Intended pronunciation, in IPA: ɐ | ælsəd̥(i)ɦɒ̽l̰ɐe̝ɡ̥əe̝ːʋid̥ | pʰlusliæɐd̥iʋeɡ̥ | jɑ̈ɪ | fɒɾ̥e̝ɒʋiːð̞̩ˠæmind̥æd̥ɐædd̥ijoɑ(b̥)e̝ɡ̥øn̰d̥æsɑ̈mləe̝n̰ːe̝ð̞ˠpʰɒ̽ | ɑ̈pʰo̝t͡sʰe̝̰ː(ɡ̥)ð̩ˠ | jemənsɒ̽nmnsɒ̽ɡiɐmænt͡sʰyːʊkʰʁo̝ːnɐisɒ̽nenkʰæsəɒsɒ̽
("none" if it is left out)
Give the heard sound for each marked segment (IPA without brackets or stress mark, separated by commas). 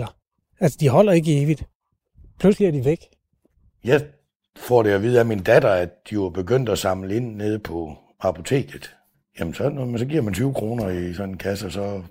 i, b̥, ɡ̥